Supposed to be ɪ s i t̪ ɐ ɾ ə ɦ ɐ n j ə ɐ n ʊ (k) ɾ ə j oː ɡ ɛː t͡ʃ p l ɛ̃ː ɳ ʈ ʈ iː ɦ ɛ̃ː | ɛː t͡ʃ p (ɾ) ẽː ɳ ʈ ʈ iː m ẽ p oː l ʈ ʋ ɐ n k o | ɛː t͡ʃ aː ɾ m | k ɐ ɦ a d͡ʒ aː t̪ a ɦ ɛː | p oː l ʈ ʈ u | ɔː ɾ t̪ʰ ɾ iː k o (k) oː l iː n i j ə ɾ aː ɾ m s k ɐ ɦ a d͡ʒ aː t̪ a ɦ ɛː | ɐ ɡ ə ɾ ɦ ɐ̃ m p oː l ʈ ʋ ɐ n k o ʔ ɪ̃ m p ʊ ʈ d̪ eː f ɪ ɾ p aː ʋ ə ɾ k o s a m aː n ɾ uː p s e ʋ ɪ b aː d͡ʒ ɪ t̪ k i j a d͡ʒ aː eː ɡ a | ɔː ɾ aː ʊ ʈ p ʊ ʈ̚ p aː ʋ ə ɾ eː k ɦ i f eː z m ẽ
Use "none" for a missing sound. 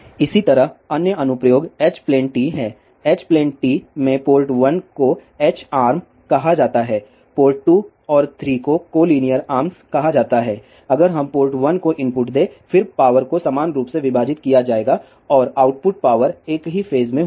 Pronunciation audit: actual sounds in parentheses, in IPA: p, l, k

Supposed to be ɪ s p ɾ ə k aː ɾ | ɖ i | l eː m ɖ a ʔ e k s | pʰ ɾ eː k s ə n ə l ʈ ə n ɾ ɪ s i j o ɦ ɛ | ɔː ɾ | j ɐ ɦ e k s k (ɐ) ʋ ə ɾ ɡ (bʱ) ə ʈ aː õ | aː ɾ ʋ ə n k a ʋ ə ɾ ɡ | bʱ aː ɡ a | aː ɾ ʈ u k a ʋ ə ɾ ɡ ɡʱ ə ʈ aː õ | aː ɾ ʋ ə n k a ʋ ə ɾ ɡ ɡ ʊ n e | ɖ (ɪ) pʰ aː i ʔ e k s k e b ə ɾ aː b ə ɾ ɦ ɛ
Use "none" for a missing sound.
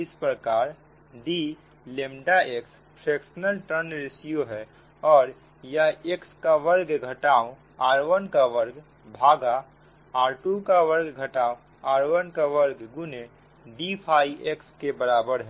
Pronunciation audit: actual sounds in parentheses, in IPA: a, ɡʱ, i

